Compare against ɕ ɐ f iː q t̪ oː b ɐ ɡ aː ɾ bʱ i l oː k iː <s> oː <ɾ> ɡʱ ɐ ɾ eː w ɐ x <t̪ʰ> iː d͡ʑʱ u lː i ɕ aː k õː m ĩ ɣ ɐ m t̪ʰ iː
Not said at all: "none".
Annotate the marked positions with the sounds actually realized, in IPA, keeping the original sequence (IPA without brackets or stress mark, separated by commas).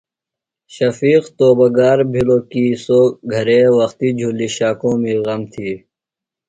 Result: s, none, t̪